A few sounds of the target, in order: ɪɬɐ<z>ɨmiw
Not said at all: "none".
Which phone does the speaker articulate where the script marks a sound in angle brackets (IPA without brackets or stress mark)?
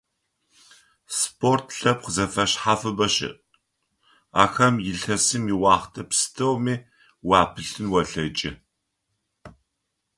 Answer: s